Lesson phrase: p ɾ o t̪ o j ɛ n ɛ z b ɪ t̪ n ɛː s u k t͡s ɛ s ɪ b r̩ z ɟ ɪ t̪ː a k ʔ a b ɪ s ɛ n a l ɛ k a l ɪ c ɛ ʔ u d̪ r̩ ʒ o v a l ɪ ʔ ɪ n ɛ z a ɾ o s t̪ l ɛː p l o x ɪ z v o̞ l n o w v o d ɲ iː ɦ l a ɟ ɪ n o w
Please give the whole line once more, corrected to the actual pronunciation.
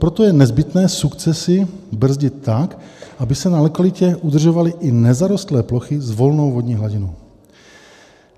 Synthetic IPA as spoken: p ɾ o t̪ o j ɛ n ɛ z b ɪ t̪ n ɛː s u k t͡s ɛ s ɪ b r̩ z ɟ ɪ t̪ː a k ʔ a b ɪ s ɛ n a l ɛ k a l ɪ c ɛ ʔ u d̪ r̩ ʒ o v a l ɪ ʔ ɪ n ɛ z a ɾ o s t̪ l ɛː p l o x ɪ z v o̞ l n o w v o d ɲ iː ɦ l a ɟ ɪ n o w